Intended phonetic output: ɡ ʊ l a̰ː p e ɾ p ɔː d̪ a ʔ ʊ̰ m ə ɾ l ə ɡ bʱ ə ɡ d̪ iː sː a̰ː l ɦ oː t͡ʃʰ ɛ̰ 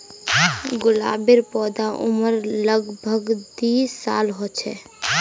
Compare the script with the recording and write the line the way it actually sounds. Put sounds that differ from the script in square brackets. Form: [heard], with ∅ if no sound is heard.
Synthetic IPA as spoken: ɡ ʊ l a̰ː [b] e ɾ p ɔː d̪ a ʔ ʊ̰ m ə ɾ l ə ɡ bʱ ə ɡ d̪ iː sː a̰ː l ɦ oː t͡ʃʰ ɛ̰